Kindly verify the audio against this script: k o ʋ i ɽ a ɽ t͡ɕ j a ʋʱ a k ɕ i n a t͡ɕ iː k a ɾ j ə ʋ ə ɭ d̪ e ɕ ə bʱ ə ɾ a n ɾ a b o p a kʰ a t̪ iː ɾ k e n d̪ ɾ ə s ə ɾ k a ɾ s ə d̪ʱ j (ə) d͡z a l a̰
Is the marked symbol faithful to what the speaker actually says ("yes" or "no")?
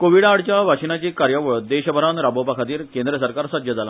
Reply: yes